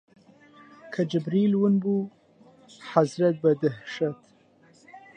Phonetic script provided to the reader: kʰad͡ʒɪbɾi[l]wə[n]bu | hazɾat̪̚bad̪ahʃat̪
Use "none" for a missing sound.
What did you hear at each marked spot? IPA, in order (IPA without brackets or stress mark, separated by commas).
l, n